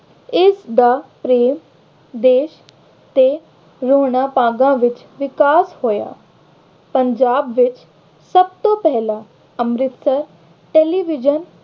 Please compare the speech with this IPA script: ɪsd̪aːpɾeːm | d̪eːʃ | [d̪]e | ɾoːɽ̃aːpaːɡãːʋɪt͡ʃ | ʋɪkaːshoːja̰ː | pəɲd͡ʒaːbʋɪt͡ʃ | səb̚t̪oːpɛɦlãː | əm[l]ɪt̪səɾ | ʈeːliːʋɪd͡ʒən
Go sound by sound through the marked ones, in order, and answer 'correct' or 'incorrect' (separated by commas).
incorrect, incorrect